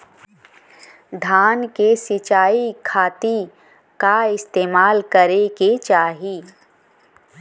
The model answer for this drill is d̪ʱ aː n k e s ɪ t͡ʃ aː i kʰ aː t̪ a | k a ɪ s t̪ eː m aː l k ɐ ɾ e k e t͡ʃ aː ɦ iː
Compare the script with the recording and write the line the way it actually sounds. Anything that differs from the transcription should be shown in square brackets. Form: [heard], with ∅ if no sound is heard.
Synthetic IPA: d̪ʱ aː n k e s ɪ t͡ʃ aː i kʰ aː t̪ [i] | k a ɪ s t̪ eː m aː l k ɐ ɾ e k e t͡ʃ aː ɦ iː

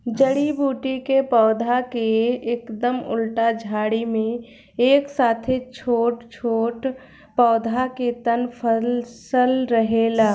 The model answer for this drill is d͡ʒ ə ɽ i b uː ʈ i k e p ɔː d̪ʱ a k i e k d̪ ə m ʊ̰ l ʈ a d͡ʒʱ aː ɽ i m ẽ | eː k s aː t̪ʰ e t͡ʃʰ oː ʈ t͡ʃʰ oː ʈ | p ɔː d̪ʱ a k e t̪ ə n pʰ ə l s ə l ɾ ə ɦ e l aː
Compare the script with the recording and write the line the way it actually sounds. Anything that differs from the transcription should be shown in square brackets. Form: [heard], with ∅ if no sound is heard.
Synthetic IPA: d͡ʒ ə ɽ i b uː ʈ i k e p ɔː d̪ʱ a k [e] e k d̪ ə m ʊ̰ l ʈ a d͡ʒʱ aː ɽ i m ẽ | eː k s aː t̪ʰ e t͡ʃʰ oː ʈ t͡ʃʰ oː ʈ | p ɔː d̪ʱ a k e t̪ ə n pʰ ə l s ə l ɾ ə ɦ e l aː

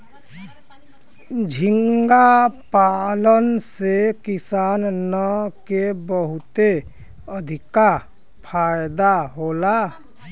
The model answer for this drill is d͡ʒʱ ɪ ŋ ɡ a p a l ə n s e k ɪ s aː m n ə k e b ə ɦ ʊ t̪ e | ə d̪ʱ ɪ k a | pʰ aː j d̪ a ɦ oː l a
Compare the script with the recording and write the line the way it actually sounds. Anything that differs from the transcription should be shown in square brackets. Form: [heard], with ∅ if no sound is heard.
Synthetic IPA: d͡ʒʱ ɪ ŋ ɡ a p a l ə n s e k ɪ s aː [n] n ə k e b ə ɦ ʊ t̪ e | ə d̪ʱ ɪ k a | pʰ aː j d̪ a ɦ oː l a

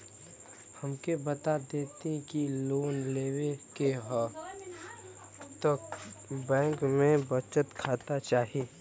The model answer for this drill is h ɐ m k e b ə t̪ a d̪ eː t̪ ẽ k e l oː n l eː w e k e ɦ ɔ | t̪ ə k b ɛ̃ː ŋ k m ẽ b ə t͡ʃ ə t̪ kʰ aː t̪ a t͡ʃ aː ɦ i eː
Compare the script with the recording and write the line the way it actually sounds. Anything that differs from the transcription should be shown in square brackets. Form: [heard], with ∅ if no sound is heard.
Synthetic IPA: h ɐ m k e b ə t̪ a d̪ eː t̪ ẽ k [i] l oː n l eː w e k e ɦ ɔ | t̪ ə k b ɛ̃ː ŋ k m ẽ b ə t͡ʃ ə t̪ kʰ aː t̪ a t͡ʃ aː ɦ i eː

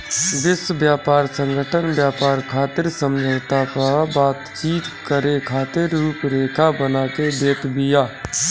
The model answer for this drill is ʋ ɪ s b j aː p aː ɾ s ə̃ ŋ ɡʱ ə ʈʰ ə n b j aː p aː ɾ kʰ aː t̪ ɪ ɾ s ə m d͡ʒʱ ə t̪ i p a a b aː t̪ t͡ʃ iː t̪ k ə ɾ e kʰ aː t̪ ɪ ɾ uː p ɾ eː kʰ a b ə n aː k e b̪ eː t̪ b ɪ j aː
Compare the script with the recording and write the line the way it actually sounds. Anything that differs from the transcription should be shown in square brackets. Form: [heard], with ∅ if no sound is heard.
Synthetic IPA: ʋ ɪ s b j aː p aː ɾ s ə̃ ŋ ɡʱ ə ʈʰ ə n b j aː p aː ɾ kʰ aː t̪ ɪ ɾ s ə m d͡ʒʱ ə t̪ [a] p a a b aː t̪ t͡ʃ iː t̪ k ə ɾ e kʰ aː t̪ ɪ ɾ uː p ɾ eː kʰ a b ə n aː k e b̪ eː t̪ b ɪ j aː

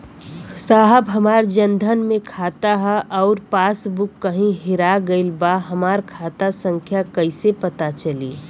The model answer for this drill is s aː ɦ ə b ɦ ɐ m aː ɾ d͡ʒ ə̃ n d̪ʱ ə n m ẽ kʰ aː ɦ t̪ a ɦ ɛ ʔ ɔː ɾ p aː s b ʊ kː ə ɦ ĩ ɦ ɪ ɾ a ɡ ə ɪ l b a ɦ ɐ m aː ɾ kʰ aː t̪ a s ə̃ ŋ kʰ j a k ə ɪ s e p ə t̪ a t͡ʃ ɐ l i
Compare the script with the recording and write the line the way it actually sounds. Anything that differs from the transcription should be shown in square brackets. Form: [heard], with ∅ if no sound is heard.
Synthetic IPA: s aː ɦ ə b ɦ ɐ m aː ɾ d͡ʒ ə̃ n d̪ʱ ə n m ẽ kʰ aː [∅] t̪ a ɦ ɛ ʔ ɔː ɾ p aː s b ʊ kː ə ɦ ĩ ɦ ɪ ɾ a ɡ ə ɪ l b a ɦ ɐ m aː ɾ kʰ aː t̪ a s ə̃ ŋ kʰ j a k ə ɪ s e p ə t̪ a t͡ʃ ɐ l i

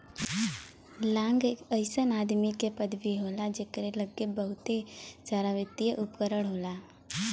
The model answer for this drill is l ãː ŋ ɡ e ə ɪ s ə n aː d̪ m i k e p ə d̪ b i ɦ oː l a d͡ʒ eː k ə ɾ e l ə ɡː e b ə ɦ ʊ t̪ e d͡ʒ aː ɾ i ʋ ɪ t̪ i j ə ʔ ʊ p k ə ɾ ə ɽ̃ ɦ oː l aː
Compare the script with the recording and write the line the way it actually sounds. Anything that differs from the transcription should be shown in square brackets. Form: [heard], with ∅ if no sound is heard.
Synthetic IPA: l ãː ŋ ɡ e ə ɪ s ə n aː d̪ m i k e p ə d̪ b i ɦ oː l a d͡ʒ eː k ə ɾ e l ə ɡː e b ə ɦ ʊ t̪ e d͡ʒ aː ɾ [a] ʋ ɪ t̪ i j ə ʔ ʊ p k ə ɾ ə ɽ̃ ɦ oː l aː

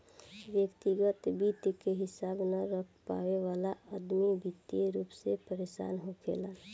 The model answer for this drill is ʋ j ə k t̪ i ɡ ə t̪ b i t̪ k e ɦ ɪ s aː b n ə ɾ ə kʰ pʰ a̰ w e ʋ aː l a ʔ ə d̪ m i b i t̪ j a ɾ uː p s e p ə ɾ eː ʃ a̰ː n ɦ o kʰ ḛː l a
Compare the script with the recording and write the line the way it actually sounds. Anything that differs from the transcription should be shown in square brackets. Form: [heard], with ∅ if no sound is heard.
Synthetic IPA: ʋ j ə k t̪ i ɡ ə t̪ b i t̪ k e ɦ ɪ s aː b n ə ɾ ə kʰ [p] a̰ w e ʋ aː l a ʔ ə d̪ m i b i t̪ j [e] ɾ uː p s e p ə ɾ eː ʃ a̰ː n ɦ o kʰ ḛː l a

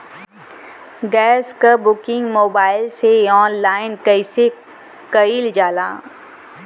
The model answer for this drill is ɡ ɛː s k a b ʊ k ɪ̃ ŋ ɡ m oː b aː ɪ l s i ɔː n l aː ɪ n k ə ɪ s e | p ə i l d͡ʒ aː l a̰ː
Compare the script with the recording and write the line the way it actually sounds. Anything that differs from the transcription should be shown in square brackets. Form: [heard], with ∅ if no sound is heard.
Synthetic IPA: ɡ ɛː s k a b ʊ k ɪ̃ ŋ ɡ m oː b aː ɪ l s [e] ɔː n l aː ɪ n k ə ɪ s e | [k] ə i l d͡ʒ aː l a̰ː

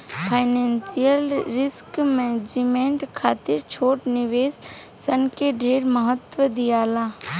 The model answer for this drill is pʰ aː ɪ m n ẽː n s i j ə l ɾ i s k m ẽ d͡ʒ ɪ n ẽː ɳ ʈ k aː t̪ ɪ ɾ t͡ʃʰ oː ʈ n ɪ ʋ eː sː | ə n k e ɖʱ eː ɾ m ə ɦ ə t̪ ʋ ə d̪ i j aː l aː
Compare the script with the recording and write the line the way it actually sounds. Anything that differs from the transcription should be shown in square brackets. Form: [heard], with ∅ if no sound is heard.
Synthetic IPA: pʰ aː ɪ [∅] n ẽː n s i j ə l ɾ [ɪ] s k m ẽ d͡ʒ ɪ [m] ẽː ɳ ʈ [kʰ] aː t̪ ɪ ɾ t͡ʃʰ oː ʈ n ɪ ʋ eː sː | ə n k e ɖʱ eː ɾ m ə ɦ ə t̪ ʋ ə d̪ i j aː l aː

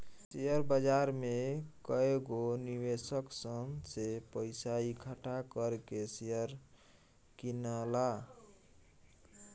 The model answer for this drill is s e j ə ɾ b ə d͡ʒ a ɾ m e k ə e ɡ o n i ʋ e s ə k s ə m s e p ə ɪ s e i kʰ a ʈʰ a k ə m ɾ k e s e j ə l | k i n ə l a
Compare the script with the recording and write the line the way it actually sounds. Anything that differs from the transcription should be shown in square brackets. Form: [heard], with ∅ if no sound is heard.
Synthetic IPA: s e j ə ɾ b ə d͡ʒ a ɾ m e k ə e ɡ o n i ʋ e s ə k s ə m s e p ə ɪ s [a] i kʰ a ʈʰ a k ə [∅] ɾ k e s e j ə [ɾ] | k i n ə l a

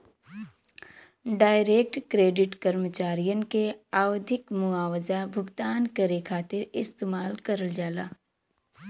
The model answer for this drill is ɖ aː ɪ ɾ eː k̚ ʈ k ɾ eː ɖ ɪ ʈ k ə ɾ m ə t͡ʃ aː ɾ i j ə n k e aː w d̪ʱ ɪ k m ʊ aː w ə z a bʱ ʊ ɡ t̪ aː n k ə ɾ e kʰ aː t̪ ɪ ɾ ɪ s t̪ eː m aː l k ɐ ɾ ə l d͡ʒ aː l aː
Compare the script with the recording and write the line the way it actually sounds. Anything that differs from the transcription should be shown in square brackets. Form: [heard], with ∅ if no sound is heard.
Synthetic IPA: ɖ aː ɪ ɾ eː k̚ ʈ k ɾ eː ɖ ɪ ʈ k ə ɾ m ə t͡ʃ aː ɾ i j ə n k e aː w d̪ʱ ɪ k m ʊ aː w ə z a bʱ ʊ ɡ t̪ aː n k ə ɾ e kʰ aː t̪ ɪ ɾ ɪ s t̪ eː m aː l k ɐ ɾ ə l d͡ʒ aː l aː

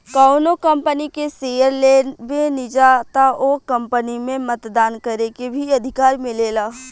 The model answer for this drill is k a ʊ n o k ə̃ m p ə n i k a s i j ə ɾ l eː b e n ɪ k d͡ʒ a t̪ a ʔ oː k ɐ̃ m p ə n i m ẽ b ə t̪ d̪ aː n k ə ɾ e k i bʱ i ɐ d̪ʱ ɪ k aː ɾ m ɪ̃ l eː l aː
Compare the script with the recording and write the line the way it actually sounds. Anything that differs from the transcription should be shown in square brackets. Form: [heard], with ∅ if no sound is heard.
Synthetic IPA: k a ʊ n o k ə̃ m p ə n i k [e] s [e] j ə ɾ l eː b e n ɪ [∅] d͡ʒ a t̪ a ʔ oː k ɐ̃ m p ə n i m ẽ [m] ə t̪ d̪ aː n k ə ɾ e k [e] bʱ i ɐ d̪ʱ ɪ k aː ɾ m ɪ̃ l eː l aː

